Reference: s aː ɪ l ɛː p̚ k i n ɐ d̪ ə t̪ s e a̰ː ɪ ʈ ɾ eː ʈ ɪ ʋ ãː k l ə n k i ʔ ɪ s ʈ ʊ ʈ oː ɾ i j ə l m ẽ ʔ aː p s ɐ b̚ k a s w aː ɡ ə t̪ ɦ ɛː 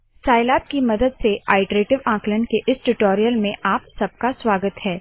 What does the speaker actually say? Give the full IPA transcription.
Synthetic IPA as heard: s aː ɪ l aː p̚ k i m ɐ d̪ ə d̪ s e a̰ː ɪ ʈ ɾ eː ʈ ɪ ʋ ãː k l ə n k e ʔ ɪ s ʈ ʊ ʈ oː ɾ i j ə l m ẽ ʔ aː p s ɐ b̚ k a s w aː ɡ ə t̪ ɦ ɛː